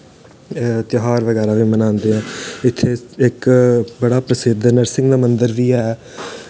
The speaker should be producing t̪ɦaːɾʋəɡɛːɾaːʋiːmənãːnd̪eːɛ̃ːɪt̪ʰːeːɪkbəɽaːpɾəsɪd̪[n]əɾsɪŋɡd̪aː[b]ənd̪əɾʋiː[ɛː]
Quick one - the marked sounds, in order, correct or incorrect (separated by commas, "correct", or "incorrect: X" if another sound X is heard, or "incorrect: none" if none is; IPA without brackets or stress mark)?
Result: correct, incorrect: m, correct